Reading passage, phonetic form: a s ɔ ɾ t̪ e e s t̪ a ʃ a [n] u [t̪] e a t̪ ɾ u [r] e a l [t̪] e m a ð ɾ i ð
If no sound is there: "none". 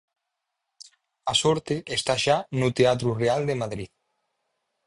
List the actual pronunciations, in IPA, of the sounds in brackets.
n, t̪, r, d̪

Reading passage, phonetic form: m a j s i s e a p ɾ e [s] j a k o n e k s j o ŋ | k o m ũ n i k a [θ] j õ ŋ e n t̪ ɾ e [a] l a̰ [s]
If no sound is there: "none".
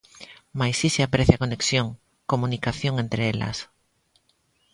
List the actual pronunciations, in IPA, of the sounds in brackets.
θ, θ, e, s

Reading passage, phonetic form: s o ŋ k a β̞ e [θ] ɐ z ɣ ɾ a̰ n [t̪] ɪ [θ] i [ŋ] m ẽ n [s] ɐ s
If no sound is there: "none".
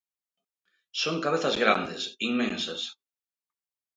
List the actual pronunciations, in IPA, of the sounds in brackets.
θ, d̪, s, ŋ, s

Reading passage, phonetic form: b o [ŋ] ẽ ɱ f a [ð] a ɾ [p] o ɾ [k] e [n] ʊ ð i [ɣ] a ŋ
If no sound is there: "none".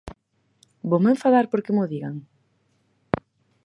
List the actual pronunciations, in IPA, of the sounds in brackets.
m, ð, p, k, m, ɣ

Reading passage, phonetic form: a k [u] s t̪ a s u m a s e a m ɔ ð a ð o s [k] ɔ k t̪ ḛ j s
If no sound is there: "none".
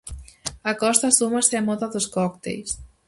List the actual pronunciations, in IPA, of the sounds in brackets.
ɔ, k

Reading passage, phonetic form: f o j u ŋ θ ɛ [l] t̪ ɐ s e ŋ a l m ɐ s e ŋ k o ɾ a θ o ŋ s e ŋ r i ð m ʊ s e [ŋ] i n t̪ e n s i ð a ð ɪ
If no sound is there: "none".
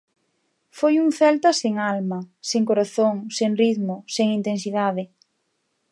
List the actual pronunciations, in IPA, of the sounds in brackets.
l, ŋ

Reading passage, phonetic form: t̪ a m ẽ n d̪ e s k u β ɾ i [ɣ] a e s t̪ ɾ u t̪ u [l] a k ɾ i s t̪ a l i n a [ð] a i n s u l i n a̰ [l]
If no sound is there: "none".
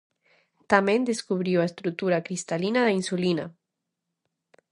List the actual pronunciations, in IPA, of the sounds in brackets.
w, ɾ, ð, none

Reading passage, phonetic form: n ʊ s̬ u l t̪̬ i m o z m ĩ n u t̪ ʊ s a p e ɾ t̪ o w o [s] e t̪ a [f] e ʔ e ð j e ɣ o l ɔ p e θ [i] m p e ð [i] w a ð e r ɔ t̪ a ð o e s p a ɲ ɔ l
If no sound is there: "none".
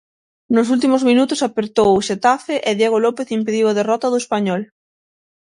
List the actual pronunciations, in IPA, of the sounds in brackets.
ʃ, f, i, i

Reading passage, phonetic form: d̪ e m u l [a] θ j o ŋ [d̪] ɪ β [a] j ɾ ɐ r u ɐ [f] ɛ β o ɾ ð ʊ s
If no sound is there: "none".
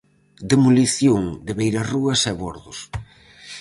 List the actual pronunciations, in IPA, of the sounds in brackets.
i, d̪, e, s

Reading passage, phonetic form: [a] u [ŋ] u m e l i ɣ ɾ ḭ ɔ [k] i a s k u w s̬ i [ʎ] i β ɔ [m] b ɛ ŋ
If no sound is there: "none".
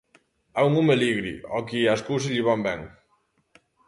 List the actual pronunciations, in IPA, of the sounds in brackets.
a, ŋ, k, ʎ, m

